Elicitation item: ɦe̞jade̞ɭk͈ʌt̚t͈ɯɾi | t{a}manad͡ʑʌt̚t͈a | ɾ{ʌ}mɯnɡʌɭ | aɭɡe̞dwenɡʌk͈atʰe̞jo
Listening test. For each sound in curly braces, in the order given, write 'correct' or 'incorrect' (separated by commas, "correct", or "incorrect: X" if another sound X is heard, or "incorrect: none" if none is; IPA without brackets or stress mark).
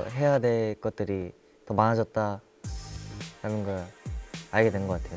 incorrect: ʌ, incorrect: a